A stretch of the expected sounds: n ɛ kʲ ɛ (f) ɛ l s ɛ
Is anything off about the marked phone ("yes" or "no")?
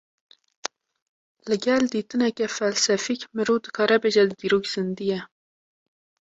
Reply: no